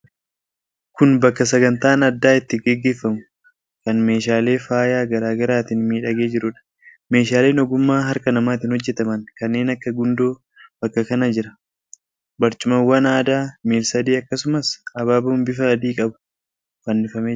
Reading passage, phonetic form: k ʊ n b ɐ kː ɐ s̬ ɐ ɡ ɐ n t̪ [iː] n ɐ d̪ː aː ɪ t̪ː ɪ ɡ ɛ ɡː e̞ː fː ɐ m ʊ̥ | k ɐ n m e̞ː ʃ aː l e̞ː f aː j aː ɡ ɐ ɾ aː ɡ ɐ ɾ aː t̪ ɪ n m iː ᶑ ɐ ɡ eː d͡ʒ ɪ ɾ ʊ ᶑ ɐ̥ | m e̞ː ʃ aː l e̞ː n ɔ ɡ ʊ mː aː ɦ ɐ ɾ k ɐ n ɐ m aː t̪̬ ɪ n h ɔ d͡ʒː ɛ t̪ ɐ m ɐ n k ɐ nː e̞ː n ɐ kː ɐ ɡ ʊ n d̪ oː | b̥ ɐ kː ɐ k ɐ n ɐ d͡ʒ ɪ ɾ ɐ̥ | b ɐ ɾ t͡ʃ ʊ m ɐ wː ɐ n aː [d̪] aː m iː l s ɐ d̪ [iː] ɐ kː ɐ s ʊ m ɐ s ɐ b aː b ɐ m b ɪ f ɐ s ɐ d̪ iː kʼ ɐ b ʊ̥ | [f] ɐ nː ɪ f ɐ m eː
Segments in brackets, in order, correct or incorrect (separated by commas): incorrect, correct, correct, correct